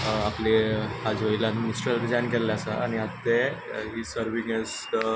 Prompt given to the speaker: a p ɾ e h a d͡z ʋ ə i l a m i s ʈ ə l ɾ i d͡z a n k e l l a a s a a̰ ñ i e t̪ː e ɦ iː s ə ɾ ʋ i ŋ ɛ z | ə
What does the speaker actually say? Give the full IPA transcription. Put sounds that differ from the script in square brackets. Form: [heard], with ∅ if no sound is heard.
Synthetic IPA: a p [l] e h a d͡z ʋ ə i l a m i s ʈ ə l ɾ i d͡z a n k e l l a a s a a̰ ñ i [a] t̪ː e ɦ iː s ə ɾ ʋ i ŋ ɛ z | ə